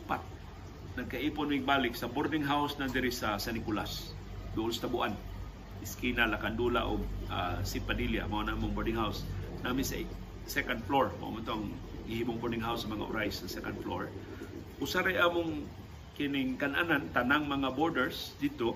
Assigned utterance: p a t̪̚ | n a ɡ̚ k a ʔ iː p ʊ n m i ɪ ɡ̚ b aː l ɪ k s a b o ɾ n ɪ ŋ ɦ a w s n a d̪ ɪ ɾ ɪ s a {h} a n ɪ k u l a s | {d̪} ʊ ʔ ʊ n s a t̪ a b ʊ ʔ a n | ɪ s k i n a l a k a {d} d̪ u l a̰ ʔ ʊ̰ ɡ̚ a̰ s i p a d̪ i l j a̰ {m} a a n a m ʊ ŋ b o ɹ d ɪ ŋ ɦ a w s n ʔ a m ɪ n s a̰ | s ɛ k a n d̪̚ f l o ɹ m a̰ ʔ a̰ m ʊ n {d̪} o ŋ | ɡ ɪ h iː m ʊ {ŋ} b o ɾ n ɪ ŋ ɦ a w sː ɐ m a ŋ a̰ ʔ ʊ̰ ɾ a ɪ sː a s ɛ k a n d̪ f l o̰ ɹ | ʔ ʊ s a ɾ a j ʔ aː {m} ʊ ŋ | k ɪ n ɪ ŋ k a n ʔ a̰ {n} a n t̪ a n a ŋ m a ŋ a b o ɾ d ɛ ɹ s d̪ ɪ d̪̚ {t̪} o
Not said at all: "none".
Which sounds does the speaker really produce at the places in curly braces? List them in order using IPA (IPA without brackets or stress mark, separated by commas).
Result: s, d̪, n, m, t̪, ŋ, m, n, t̪